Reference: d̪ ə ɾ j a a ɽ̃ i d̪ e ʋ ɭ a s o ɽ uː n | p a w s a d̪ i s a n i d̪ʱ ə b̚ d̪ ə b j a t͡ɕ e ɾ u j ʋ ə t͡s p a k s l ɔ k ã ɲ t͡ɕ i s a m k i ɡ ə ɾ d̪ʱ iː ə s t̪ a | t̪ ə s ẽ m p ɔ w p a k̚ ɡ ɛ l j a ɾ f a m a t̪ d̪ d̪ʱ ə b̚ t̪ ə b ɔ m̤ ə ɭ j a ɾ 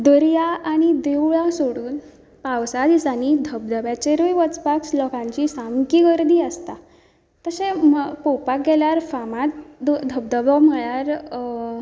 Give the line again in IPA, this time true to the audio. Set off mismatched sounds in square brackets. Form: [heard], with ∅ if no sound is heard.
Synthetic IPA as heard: d̪ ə ɾ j a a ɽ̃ i d̪ e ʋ ɭ a s o ɽ uː n | p a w s a d̪ i s a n i d̪ʱ ə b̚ d̪ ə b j a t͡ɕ e ɾ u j ʋ ə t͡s p a k s l ɔ k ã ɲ t͡ɕ i s a m k i ɡ ə ɾ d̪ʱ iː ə s t̪ a | t̪ ə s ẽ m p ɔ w p a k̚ ɡ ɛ l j a ɾ f a m a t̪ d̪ d̪ʱ ə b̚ [d̪] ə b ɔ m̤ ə ɭ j a ɾ